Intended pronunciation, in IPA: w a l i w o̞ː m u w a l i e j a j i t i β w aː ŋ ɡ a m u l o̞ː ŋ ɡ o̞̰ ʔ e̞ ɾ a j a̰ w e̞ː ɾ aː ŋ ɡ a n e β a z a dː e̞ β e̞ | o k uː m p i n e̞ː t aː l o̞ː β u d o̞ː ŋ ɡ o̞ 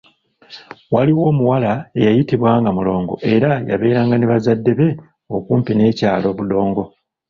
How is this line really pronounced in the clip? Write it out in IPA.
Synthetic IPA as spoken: w a l i w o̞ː m u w a l a e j a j i t i β w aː ŋ ɡ a m u l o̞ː ŋ ɡ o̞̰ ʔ e̞ ɾ a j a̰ β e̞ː ɾ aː ŋ ɡ a n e β a z a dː e̞ β e̞ | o k uː m p i n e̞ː c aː l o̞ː β u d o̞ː ŋ ɡ o̞